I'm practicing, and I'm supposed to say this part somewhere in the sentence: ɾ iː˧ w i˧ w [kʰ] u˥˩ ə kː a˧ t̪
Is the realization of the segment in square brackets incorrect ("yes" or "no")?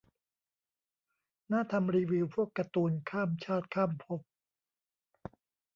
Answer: yes